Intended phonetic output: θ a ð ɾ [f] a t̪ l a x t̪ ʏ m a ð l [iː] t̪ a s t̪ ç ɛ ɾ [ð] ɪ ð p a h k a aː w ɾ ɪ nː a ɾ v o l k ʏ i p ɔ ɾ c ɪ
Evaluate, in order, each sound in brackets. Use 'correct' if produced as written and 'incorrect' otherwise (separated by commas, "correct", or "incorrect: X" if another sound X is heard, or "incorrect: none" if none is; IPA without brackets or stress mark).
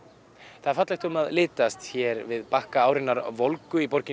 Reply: correct, incorrect: ɪː, incorrect: v